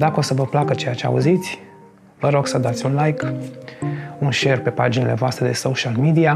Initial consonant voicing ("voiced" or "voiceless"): voiced